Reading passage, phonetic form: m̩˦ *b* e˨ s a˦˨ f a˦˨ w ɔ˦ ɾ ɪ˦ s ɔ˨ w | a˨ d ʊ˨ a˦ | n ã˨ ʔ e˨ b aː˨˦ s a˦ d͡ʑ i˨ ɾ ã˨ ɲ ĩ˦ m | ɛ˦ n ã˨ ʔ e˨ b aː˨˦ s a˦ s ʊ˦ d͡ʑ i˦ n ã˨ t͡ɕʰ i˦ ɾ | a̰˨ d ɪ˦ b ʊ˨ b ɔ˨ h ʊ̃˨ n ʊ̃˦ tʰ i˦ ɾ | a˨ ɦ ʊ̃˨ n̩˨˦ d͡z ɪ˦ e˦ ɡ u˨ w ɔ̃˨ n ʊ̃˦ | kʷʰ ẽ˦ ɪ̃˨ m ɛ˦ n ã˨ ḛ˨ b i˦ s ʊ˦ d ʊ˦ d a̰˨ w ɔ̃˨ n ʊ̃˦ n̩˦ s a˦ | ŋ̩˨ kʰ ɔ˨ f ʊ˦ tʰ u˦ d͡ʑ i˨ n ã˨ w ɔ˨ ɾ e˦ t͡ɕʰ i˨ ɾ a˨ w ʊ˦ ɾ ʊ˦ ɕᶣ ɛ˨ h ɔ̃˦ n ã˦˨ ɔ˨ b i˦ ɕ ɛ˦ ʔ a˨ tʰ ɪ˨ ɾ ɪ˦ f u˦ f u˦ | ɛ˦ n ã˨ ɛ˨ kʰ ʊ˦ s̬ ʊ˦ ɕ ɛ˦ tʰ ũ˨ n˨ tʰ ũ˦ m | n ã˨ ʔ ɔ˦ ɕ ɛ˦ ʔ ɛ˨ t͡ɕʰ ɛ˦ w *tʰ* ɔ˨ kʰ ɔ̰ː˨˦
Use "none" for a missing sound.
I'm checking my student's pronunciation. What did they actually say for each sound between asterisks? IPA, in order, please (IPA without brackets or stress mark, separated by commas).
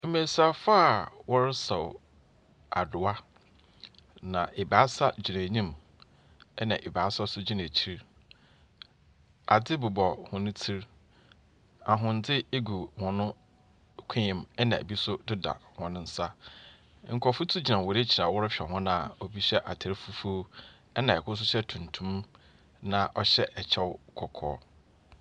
m, kʰ